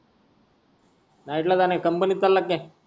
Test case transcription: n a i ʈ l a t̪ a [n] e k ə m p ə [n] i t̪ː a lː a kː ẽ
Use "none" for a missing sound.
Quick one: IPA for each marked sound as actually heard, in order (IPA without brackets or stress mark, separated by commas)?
n, n